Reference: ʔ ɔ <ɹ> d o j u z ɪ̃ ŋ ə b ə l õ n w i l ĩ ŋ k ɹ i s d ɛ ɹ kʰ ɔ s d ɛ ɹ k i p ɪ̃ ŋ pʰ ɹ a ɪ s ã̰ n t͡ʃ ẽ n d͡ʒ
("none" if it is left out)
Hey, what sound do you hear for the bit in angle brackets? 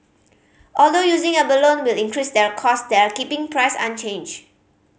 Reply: l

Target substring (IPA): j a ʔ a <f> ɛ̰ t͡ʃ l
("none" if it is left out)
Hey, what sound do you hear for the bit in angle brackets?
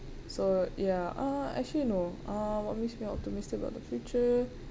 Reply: none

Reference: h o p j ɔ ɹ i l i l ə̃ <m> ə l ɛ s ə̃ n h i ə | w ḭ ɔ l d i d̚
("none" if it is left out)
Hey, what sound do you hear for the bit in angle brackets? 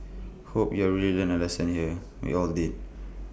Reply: n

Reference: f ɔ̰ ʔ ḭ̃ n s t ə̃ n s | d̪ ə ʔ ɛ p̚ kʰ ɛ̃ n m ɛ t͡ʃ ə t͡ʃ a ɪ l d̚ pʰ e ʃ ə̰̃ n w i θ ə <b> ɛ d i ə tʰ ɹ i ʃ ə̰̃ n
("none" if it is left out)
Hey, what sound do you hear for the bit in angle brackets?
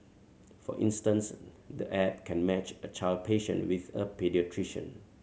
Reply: p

